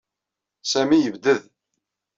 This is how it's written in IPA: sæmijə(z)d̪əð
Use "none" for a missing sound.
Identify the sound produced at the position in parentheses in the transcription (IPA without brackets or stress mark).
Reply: v